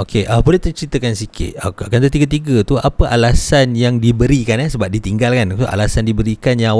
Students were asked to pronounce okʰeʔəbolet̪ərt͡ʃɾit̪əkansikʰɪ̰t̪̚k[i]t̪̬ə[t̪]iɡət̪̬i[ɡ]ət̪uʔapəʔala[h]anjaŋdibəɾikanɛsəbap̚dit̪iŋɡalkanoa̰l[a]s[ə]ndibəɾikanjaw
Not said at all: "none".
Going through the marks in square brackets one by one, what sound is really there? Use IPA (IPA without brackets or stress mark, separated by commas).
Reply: a, t̪, ɡ, s, a, a